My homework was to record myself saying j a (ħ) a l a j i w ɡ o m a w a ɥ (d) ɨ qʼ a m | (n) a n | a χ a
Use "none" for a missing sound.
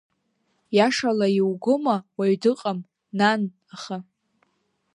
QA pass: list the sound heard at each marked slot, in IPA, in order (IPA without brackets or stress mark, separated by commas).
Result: ʂ, d, n